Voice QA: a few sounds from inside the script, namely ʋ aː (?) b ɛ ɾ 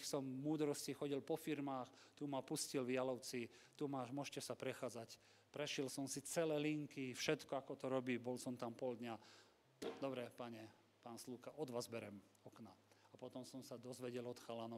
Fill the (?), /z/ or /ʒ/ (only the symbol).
z